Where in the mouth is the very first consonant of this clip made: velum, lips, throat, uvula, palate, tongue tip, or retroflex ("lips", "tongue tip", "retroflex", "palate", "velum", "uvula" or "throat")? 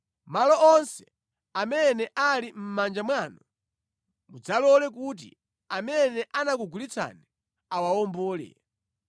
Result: lips